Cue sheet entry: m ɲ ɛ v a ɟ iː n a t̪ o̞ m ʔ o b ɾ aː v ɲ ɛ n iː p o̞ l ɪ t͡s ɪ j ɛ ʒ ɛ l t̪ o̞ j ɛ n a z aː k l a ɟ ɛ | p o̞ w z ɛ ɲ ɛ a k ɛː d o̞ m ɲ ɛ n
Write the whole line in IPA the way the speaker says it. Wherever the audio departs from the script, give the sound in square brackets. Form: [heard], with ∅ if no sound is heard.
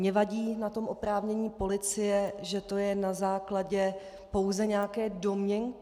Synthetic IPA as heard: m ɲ ɛ v a ɟ iː n a t̪ o̞ m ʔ o [p] ɾ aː v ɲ ɛ [ɲ] iː p o̞ l ɪ t͡s ɪ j ɛ ʒ ɛ [∅] t̪ o̞ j ɛ n a z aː k l a ɟ ɛ | p o̞ w z ɛ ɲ ɛ a k ɛː d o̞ m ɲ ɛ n